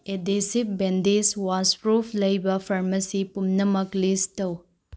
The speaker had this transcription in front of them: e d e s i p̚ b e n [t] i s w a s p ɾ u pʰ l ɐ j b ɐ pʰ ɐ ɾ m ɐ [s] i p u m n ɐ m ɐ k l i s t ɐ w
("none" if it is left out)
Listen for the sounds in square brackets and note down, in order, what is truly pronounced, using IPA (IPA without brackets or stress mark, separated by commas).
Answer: d, s